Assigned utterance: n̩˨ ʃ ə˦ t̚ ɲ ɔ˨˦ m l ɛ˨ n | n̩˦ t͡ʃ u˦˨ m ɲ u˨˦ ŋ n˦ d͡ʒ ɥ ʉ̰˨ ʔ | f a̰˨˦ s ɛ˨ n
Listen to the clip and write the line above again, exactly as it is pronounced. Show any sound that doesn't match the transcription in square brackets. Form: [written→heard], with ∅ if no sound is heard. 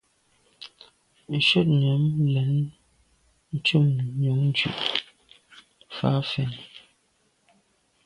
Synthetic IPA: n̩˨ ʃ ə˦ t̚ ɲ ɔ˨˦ m l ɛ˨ n | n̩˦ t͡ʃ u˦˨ m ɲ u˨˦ ŋ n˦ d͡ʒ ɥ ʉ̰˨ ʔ | f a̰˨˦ [s→f] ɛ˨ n